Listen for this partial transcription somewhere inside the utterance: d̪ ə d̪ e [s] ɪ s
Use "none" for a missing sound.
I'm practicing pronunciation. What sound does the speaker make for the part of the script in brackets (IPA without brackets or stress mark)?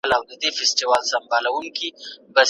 f